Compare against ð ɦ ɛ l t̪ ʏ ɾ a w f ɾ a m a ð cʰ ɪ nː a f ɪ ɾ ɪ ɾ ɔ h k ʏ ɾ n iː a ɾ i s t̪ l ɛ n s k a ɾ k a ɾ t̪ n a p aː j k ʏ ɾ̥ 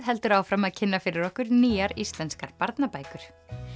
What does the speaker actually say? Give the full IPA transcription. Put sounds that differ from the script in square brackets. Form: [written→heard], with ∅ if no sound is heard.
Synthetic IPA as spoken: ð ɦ ɛ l t̪ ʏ ɾ a w f ɾ a m a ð cʰ ɪ nː a f ɪ ɾ ɪ ɾ ɔ h k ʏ ɾ n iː a ɾ i s t̪ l ɛ n s k a ɾ [k→p] a ɾ t̪ n a p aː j k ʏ ɾ̥